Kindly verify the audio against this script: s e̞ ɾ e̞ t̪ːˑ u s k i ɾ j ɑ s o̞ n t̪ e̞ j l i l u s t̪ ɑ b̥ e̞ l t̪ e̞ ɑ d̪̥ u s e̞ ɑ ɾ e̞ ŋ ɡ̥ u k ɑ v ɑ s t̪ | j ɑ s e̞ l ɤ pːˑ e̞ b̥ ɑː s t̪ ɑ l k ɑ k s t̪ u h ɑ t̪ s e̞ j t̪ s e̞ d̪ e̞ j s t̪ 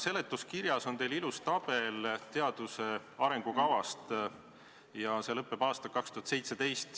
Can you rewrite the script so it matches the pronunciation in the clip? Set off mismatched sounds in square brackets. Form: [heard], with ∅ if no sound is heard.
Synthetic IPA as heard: s e̞ [l] e̞ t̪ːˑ u s k i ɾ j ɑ s o̞ n t̪ e̞ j l i l u s t̪ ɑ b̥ e̞ l t̪ e̞ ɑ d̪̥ u s e̞ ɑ ɾ e̞ ŋ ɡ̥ u k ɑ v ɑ s t̪ | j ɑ s e̞ l ɤ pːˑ e̞ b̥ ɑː s t̪ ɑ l k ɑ k s t̪ u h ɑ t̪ s e̞ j t̪ s e̞ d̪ e̞ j s t̪